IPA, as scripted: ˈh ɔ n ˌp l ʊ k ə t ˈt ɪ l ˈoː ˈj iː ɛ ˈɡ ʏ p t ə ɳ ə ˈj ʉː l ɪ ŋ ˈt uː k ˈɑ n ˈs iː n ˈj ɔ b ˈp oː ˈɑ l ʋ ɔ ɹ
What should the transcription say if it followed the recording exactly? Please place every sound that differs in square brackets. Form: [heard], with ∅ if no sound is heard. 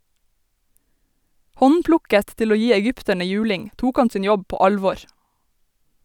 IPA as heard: ˈh ɔ n ˌp l ʊ k ə t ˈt ɪ l ˈoː ˈj iː ɛ ˈɡ ʏ p t ə ɳ ə ˈj ʉː l ɪ ŋ ˈt uː k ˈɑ n ˈs iː n ˈj ɔ b ˈp oː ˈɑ l ʋ ɔ ɹ